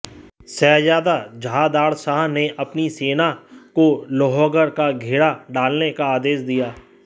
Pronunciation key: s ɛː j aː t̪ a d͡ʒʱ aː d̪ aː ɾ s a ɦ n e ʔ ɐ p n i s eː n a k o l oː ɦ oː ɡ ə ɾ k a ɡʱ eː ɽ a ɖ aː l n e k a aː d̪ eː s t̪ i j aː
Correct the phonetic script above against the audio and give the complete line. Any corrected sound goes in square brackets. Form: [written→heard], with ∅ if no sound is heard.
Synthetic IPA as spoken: s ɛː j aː [t̪→d̪] a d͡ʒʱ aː d̪ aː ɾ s a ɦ n e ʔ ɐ p n i s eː n a k o l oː ɦ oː ɡ ə ɾ k a ɡʱ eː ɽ a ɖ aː l n e k a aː d̪ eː s [t̪→d̪] i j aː